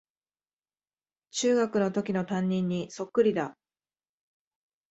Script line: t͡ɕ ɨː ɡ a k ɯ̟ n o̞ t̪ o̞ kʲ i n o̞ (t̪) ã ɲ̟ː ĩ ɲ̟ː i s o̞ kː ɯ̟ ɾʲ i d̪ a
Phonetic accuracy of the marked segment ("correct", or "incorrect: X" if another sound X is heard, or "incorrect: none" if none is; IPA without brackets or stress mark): correct